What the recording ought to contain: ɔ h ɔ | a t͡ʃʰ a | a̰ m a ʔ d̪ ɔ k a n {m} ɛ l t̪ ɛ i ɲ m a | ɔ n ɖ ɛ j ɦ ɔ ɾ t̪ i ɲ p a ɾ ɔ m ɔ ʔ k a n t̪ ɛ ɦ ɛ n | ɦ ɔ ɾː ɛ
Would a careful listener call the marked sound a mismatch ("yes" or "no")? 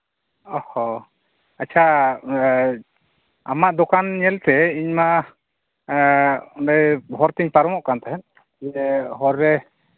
yes